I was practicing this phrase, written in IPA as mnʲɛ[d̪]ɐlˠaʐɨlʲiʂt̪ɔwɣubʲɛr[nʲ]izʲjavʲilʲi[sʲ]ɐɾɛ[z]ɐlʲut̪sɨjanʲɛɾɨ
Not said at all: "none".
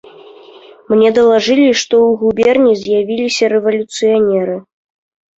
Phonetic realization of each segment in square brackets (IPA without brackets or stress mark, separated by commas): d̪, nʲ, sʲ, v